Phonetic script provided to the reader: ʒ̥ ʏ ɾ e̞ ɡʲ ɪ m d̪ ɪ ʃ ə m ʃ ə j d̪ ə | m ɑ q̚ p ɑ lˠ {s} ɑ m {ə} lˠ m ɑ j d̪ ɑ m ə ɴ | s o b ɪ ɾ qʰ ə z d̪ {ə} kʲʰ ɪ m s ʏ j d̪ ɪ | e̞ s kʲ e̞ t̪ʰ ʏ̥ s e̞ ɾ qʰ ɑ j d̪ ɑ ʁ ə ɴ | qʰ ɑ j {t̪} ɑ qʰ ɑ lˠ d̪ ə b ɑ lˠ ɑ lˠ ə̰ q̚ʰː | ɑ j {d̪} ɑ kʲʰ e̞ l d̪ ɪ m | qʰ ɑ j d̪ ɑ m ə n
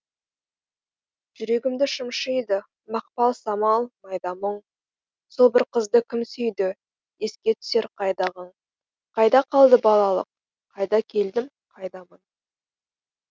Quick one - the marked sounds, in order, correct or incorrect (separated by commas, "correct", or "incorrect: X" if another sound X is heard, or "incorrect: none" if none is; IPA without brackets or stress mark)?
correct, incorrect: ɑ, correct, incorrect: d̪, correct